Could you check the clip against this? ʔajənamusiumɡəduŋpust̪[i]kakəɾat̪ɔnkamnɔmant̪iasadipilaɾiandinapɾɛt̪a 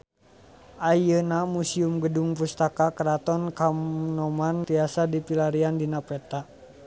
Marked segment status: incorrect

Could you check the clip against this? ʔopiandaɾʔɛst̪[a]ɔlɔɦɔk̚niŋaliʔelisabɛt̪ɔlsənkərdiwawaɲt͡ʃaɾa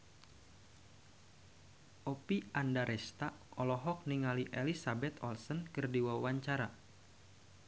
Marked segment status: correct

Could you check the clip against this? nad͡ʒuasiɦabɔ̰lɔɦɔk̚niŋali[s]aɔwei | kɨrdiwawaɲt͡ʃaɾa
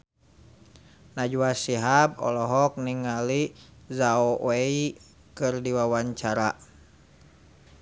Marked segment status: incorrect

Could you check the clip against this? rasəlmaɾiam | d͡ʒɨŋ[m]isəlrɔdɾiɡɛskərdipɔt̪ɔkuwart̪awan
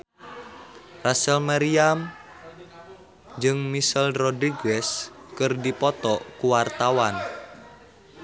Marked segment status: correct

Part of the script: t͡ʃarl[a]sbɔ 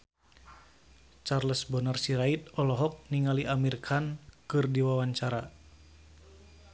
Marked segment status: incorrect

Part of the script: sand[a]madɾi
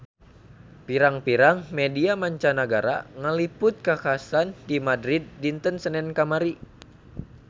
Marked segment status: incorrect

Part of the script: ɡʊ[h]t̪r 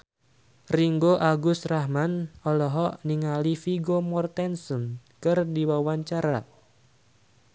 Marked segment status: incorrect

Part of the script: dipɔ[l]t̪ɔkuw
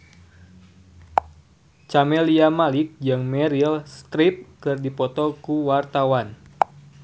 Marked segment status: incorrect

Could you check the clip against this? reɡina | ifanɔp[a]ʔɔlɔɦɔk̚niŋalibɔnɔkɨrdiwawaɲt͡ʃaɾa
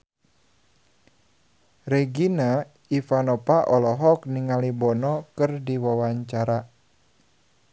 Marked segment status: correct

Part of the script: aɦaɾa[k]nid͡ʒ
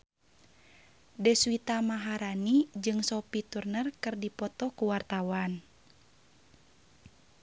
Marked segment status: incorrect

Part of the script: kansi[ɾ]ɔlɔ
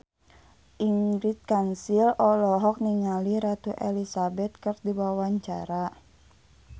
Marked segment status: incorrect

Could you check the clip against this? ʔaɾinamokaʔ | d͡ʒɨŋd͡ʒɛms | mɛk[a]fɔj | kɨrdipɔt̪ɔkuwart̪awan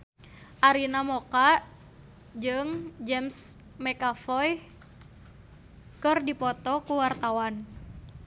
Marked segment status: correct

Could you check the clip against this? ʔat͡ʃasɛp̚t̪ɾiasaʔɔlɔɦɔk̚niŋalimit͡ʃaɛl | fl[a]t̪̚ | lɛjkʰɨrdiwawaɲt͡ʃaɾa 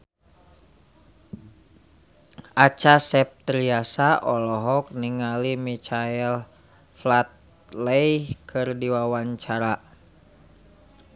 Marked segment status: correct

